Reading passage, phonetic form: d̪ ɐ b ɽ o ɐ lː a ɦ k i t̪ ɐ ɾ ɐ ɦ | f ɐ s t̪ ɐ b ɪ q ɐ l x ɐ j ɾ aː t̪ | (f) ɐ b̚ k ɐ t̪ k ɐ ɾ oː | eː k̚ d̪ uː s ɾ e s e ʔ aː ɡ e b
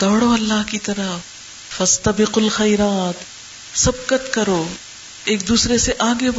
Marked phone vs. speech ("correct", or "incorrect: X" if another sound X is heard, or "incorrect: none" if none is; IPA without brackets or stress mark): incorrect: s